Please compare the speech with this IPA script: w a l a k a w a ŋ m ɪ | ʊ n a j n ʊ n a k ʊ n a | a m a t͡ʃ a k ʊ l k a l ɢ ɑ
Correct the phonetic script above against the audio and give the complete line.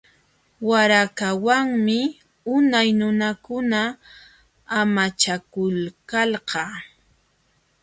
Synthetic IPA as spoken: w a ɾ a k a w a ŋ m ɪ | ʊ n a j n ʊ n a k ʊ n a | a m a t͡ʃ a k ʊ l k a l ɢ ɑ